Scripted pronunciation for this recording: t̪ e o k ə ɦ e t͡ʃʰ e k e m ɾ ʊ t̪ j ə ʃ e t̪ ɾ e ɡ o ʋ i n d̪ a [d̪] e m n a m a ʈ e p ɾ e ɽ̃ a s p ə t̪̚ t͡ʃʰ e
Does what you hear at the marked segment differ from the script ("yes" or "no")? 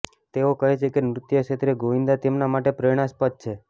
yes